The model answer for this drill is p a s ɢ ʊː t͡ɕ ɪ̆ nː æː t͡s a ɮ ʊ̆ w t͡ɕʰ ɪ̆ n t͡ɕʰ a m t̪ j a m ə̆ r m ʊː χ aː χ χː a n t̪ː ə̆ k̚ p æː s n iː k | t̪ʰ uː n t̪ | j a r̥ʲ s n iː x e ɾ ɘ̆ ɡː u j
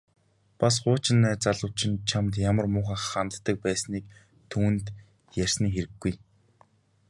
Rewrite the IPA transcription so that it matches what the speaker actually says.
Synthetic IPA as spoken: p a s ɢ ʊː t͡ɕ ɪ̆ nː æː t͡s a ɮ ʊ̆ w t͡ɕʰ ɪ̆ n t͡ɕʰ a m t̪ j a m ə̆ r m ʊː χ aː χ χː a n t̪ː ə̆ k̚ p æː s n iː k | t̪ʰ uː n t̪ | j æ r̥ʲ s n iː x e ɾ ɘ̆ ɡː u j

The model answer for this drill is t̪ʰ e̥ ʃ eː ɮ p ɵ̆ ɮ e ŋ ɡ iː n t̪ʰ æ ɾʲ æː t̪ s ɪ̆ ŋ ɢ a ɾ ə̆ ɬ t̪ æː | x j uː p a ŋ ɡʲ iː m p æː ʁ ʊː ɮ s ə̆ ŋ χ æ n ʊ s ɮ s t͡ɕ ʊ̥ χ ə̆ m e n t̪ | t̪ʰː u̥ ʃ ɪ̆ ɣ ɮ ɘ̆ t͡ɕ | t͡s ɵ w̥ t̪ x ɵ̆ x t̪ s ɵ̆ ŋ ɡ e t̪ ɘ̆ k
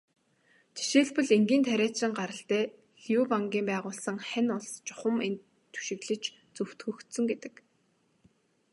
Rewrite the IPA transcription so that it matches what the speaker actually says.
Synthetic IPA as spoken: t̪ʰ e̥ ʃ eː ɮ p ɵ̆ ɮ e ŋ ɡ iː n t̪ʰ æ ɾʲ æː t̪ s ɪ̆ ŋ ɢ a ɾ ə̆ ɬ t̪ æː | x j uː p a ŋ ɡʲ iː m p æː ʁ ʊː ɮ s ə̆ ŋ χ æ n ʊ ɮ s t͡ɕ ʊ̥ χ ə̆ m e n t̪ | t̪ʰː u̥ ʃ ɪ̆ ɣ ɮ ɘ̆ t͡ɕ | t͡s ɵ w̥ t̪ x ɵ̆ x t̪ s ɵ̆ ŋ ɡ e t̪ ɘ̆ k

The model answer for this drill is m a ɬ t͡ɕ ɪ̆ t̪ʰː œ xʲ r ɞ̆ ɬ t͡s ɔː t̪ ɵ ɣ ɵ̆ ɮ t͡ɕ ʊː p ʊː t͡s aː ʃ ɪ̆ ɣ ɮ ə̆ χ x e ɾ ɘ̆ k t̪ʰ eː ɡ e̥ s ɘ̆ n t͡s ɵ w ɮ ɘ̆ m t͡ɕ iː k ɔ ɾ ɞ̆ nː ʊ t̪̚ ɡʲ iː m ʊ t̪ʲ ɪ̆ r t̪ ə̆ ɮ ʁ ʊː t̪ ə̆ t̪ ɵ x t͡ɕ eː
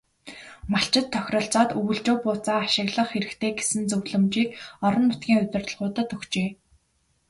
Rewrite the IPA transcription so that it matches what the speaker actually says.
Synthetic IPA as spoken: m a ɬ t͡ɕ ɪ̆ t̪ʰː œ xʲ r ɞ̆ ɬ t͡s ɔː t̪ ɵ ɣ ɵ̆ ɮ t͡ɕ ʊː p ʊː t͡s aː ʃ ɪ̆ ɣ ɮ ə̆ χ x e ɾ ɘ̆ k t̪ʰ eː ɡ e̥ s ɘ̆ n t͡s ɵ w ɮ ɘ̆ m t͡ɕ iː k ɔ ɾ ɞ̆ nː ʊ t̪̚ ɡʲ iː ŋ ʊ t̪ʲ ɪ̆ r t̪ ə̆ ɮ ʁ ʊː t̪ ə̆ t̪ ɵ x t͡ɕ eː

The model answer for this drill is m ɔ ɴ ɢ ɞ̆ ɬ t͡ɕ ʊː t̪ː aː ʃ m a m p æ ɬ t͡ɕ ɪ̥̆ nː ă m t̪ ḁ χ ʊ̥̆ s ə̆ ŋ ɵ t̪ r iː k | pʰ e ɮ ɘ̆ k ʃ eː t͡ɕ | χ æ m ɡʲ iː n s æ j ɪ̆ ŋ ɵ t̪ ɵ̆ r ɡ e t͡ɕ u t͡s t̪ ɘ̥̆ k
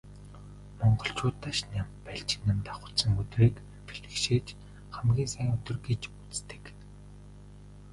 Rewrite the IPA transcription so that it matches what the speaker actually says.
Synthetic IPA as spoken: m ɔ ɴ ɢ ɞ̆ ɬ t͡ɕ ʊː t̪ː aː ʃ n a m p æ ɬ t͡ɕ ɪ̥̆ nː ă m t̪ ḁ χ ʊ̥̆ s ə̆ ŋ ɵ t̪ r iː k | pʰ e ɮ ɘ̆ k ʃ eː t͡ɕ | χ æ m ɡʲ iː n s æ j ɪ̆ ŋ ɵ t̪ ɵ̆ r ɡ e t͡ɕ u t͡s t̪ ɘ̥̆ k

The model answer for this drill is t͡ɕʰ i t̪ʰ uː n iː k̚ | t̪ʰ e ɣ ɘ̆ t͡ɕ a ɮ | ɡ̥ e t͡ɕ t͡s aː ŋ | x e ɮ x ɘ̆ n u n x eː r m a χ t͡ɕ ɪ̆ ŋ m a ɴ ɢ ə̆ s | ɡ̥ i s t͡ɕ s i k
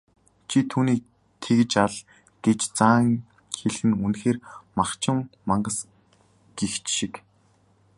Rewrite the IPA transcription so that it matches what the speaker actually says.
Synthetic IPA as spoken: t͡ɕʰ i t̪ʰ uː n iː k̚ | t̪ʰ e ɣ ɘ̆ t͡ɕ a ɮ | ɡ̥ e t͡ɕ t͡s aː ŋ | x e ɮ x ɘ̆ n u n x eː r m a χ t͡ɕ ɪ̆ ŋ m a ɴ ɢ ə̆ s | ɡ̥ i x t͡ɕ ʃ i k

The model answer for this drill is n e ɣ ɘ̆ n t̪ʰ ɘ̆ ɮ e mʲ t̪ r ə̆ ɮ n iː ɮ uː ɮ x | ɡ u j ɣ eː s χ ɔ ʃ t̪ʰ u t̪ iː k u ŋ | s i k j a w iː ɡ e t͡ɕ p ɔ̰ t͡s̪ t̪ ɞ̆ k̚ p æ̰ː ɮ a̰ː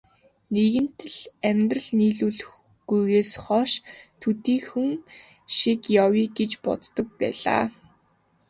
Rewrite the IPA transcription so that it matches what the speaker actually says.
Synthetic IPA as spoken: n e ɣ ɘ̆ n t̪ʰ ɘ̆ ɮ æ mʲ t̪ r ə̆ ɮ n iː ɮ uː ɮ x | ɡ u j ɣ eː s χ ɔ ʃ t̪ʰ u t̪ iː x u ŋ | ʃ i k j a w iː ɡ e t͡ɕ p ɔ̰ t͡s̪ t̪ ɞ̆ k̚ p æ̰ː ɮ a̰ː

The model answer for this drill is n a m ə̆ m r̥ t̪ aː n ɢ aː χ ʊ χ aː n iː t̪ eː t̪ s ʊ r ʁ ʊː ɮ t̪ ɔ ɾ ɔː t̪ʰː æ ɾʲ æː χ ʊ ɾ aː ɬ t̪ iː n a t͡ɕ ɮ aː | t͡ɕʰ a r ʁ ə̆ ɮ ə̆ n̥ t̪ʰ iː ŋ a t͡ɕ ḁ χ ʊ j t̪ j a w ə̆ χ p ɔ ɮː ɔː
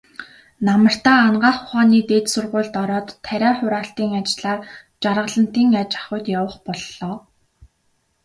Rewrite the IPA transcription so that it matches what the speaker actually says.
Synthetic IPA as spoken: n a m ə̆ r̥ t̪ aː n ɢ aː χ ʊ χ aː n iː t̪ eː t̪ s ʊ r ʁ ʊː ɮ t̪ ɔ ɾ ɔː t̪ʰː æ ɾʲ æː χ ʊ ɾ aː ɬ t̪ iː ŋ a t͡ɕ ɮ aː | t͡ɕ a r ʁ ə̆ ɮ ə̆ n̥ t̪ iː ŋ a t͡ɕ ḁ χ ʊ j t̪ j a w ə̆ χ p ɔ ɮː ɔː

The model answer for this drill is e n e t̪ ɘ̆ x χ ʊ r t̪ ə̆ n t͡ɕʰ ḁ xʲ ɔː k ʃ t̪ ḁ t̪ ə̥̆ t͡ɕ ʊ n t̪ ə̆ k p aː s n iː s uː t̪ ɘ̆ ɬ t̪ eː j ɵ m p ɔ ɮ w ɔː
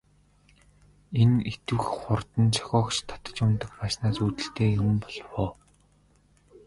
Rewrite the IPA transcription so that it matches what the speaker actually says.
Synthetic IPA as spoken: e n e t̪ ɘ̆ x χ ʊ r t̪ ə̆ n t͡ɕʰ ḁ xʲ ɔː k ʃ t̪ʰ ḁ t̪ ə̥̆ t͡ɕ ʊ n t̪ ə̆ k p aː ʃ n aː s uː t̪ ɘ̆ ɬ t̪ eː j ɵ m p ɔ ɮ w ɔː

